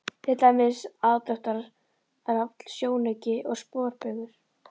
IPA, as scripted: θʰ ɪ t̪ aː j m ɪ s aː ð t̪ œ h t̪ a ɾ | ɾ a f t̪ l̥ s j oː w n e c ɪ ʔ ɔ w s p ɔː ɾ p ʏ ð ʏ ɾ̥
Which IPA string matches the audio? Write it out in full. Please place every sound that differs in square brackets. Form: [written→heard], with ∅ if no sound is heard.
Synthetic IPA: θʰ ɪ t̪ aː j m ɪ s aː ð t̪ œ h t̪ a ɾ | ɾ a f t̪ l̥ s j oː w n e c ɪ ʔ ɔ [w→ɣ] s p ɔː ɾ p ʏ [ð→ɣ] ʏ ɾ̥